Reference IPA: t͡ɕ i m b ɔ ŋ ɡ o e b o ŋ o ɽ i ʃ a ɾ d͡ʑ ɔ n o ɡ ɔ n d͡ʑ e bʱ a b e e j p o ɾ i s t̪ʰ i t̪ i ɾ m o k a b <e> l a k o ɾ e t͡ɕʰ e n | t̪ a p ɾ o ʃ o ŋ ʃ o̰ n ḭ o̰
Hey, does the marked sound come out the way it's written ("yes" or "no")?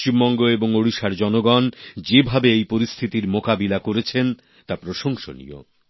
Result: no